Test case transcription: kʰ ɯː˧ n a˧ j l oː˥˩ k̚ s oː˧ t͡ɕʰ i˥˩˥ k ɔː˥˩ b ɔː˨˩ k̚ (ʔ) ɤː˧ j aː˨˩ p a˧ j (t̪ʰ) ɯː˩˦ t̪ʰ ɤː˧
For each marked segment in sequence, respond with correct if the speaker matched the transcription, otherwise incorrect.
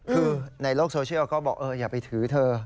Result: correct, correct

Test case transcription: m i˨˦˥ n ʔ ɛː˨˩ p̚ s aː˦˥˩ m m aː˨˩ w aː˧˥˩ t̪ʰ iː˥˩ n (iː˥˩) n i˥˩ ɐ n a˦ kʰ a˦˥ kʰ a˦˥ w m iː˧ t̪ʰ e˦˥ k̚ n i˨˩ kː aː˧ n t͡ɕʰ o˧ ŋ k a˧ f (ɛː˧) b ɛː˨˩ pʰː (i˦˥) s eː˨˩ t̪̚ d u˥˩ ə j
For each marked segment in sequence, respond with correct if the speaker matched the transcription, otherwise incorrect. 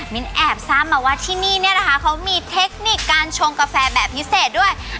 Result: correct, correct, correct

